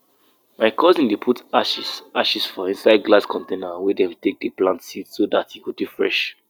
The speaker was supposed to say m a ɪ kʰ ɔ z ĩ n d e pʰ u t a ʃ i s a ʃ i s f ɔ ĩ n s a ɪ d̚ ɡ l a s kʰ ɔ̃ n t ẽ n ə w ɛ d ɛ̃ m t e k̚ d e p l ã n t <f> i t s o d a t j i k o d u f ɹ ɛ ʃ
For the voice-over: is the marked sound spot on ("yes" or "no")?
no